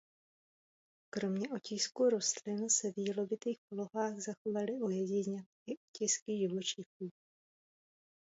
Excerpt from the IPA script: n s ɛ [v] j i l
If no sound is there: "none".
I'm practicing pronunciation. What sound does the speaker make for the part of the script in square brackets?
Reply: v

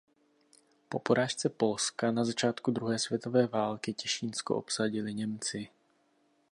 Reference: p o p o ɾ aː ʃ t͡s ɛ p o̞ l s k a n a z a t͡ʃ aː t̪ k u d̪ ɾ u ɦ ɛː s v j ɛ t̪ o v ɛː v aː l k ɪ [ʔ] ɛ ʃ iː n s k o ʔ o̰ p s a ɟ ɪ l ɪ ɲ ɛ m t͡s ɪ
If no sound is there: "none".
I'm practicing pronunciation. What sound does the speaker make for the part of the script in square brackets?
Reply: c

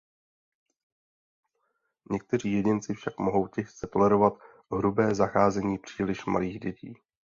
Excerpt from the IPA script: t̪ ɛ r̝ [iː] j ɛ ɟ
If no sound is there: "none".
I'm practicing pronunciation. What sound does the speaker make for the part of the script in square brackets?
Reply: iː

